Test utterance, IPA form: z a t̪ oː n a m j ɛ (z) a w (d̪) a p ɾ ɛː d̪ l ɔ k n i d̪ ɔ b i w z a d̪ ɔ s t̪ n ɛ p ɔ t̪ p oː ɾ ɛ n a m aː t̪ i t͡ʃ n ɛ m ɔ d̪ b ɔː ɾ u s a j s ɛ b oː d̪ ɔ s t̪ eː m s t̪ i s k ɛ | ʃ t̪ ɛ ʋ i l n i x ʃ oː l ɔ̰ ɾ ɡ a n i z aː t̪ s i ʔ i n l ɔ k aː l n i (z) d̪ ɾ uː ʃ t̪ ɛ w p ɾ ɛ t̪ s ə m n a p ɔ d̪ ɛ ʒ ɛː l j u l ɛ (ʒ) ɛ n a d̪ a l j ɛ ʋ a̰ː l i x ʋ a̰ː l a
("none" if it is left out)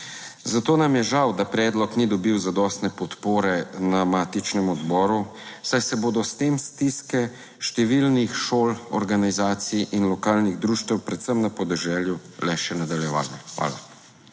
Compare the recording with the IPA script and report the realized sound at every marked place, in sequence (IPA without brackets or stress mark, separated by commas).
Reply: ʒ, d̪, ɣ, ʃ